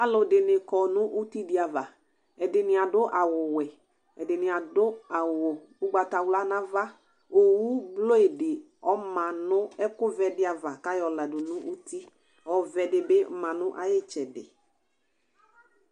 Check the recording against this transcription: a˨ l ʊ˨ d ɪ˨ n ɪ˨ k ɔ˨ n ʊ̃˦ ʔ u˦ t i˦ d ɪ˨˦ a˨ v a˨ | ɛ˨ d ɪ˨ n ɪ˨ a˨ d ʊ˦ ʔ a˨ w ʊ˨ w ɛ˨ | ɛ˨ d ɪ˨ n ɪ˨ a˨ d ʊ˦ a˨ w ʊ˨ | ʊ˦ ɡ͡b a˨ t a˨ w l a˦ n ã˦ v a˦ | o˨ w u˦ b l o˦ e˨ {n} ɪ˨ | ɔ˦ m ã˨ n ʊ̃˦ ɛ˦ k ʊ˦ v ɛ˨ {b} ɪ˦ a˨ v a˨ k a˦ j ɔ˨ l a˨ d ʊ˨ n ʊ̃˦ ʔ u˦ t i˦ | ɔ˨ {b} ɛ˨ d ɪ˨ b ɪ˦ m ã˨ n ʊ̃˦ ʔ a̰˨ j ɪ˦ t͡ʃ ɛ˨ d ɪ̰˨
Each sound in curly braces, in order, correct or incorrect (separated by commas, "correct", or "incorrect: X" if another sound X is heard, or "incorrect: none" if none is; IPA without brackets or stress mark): incorrect: d, incorrect: d, incorrect: v